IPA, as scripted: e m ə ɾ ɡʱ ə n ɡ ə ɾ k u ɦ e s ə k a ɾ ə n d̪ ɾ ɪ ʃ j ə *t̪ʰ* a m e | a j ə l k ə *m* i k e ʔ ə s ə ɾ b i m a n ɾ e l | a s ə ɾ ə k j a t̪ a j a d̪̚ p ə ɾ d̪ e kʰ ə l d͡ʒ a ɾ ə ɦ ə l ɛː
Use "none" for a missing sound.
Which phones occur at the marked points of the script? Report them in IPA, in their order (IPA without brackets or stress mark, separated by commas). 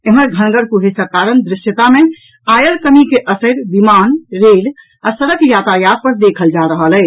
t̪, m